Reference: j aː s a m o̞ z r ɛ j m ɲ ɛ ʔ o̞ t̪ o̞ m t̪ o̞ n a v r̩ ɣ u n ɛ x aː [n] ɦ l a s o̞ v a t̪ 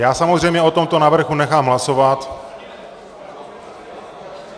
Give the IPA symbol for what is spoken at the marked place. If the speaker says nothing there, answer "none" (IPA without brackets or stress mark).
m